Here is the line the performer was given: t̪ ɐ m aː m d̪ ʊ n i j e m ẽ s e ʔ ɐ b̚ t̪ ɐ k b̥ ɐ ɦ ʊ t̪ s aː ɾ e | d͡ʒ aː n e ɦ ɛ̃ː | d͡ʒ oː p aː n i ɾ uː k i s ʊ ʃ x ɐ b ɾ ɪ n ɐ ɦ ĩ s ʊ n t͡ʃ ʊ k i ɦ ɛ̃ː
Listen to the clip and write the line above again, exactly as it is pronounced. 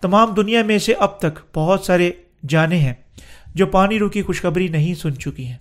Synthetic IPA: t̪ ɐ m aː m d̪ ʊ n i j a m ẽ s e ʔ ɐ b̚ t̪ ɐ k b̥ ɐ ɦ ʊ t̪ s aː ɾ e | d͡ʒ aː n e ɦ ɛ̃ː | d͡ʒ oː p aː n i ɾ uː k i x ʊ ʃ x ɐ b ɾ i n ɐ ɦ ĩ s ʊ n t͡ʃ ʊ k i ɦ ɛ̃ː